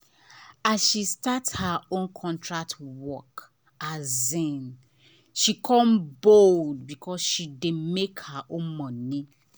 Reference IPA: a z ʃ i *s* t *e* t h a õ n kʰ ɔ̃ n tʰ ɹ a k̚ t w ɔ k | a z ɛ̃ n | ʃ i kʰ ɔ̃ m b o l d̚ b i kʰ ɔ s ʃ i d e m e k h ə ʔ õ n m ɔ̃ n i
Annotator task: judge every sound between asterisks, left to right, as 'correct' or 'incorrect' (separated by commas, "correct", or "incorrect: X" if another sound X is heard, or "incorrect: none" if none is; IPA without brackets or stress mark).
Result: correct, incorrect: a